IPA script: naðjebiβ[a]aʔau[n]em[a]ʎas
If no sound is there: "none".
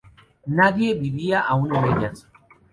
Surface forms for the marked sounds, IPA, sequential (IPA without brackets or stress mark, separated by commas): i, n, e